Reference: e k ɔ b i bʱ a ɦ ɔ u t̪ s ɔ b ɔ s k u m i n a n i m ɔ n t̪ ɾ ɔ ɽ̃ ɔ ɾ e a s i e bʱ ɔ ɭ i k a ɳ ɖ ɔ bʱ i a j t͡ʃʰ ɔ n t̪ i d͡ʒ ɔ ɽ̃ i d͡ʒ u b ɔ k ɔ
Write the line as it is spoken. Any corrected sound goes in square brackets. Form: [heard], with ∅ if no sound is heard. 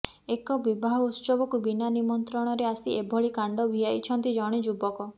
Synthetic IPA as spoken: e k ɔ b i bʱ a ɦ ɔ u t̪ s ɔ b ɔ [∅] k u [b] i n a n i m ɔ n t̪ ɾ ɔ ɽ̃ ɔ ɾ e a s i e bʱ ɔ ɭ i k a ɳ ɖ ɔ bʱ i a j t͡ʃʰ ɔ n t̪ i d͡ʒ ɔ ɽ̃ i d͡ʒ u b ɔ k ɔ